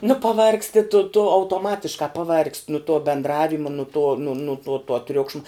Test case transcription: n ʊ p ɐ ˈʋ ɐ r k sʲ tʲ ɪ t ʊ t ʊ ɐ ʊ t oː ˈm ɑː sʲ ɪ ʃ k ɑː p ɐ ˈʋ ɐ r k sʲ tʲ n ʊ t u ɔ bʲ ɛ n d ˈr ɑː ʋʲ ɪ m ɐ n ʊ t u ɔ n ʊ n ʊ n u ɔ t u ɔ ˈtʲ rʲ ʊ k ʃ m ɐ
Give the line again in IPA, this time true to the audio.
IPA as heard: n ʊ p ɐ ˈʋ ɐ r k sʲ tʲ ɪ t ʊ t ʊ ɐ ʊ t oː ˈm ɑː tʲ ɪ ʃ k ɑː p ɐ ˈʋ ɐ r k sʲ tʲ n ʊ t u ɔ bʲ ɛ n d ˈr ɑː ʋʲ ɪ m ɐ n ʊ t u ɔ n ʊ n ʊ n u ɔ t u ɔ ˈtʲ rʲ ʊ k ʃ m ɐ